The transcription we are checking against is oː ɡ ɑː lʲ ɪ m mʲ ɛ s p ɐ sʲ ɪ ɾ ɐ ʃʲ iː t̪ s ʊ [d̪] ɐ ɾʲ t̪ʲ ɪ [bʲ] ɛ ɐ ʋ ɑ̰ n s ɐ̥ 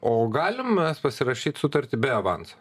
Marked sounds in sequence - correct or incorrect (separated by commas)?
incorrect, correct